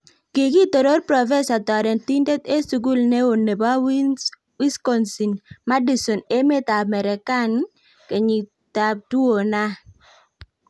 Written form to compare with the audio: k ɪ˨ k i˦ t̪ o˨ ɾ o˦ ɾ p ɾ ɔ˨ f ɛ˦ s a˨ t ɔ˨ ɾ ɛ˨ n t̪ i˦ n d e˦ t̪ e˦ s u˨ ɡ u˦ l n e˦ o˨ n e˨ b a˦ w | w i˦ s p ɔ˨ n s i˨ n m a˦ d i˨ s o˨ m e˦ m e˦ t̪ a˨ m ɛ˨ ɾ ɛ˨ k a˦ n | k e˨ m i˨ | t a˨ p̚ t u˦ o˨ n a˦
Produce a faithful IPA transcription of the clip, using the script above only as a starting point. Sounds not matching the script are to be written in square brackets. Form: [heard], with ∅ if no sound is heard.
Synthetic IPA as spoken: k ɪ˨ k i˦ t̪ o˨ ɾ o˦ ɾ p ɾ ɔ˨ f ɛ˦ s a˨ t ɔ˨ ɾ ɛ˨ n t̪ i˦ n d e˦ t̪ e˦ s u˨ ɡ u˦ l n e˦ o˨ n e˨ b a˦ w | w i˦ s [k] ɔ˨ n s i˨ n m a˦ d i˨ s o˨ [n] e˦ m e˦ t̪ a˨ m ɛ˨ ɾ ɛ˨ k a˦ n | k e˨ [ɲ] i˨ | t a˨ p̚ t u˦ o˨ n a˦